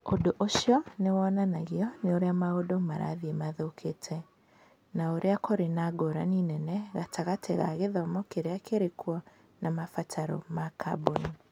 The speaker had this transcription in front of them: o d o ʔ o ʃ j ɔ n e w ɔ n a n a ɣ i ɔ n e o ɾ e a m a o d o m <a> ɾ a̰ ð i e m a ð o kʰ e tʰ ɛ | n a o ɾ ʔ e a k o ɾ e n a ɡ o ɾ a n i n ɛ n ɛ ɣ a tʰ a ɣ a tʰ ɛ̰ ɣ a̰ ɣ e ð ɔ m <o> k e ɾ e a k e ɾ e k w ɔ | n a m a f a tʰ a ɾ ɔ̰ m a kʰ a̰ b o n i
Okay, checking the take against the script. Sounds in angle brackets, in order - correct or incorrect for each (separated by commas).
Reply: correct, incorrect